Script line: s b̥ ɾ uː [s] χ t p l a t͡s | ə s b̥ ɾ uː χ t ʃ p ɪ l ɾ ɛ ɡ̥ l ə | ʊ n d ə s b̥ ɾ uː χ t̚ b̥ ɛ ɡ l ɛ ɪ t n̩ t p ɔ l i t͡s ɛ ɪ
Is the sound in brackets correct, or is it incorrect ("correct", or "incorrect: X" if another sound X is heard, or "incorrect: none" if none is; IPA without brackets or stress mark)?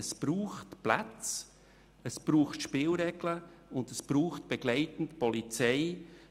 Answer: incorrect: none